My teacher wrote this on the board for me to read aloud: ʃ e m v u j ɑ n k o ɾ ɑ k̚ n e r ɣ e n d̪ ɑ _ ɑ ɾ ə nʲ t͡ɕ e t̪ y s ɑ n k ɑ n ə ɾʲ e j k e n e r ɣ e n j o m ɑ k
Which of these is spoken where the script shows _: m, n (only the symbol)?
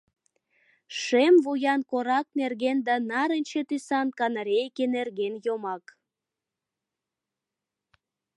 n